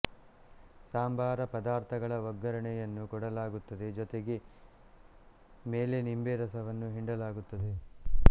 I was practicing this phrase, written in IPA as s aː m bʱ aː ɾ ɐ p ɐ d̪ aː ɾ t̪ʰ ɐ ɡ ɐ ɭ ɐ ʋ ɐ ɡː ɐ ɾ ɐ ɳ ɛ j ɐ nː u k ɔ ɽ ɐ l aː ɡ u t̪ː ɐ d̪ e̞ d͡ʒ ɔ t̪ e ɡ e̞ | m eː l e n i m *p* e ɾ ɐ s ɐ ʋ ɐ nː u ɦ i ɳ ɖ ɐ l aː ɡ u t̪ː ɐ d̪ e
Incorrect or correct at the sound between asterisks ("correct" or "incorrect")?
incorrect